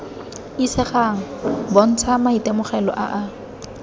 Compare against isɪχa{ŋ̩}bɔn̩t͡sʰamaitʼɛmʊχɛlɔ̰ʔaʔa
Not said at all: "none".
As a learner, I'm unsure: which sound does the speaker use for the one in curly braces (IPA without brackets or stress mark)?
ŋ̩